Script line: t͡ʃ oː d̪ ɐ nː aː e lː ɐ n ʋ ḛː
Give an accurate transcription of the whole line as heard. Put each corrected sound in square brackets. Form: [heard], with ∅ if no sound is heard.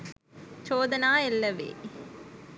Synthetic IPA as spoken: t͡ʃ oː d̪ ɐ [n] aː e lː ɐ [∅] ʋ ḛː